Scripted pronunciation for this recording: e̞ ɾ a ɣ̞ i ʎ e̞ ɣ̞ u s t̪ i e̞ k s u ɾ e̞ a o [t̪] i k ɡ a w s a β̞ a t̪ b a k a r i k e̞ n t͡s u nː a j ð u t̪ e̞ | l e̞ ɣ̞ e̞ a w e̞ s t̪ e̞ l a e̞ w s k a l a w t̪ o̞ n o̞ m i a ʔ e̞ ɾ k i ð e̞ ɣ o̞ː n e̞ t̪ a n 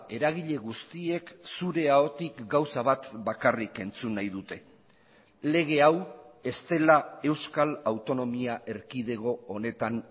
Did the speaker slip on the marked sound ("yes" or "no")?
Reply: no